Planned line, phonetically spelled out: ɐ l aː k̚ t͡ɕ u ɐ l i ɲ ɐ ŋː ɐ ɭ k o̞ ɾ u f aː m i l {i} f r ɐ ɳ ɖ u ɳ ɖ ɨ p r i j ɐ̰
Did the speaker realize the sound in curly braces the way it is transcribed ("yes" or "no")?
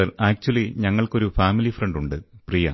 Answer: yes